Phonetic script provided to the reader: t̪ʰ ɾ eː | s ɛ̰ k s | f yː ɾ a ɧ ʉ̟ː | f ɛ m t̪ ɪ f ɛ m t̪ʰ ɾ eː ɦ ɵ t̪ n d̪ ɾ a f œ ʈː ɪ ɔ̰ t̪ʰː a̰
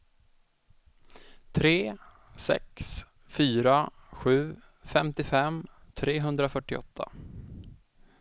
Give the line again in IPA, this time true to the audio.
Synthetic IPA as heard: t̪ʰ ɾ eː | s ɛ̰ k s | f yː ɾ a ɧ ʉ̟ː | f ɛ m t̪ ɪ f ɛ m t̪ʰ ɾ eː ɦ ɵ n d̪ ɾ a f œ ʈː ɪ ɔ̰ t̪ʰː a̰